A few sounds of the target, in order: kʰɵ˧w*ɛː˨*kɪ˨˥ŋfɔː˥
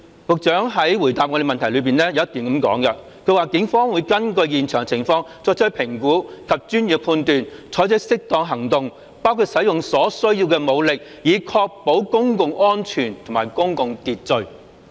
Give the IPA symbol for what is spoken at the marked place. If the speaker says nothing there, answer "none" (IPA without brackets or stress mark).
aː˨